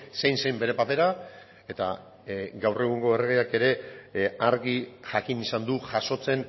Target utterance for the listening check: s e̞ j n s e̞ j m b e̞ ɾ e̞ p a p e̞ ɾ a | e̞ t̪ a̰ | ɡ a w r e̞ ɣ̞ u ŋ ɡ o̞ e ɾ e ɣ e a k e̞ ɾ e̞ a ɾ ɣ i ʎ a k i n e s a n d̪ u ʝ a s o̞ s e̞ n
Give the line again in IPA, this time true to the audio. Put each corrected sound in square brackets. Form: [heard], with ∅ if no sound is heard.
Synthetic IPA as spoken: s e̞ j n s e̞ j m b e̞ ɾ e̞ p a p e̞ ɾ a | e̞ t̪ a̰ | ɡ a w r e̞ ɣ̞ u ŋ ɡ o̞ e [r] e ɣ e a k e̞ ɾ e̞ a ɾ ɣ i [ʝ] a k i n [i] s a n d̪ u ʝ a s o̞ [t͡s] e̞ n